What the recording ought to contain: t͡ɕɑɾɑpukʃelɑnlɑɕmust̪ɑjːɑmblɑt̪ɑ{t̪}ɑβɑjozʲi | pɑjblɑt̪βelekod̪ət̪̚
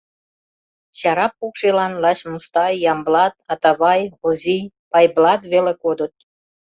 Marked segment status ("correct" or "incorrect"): correct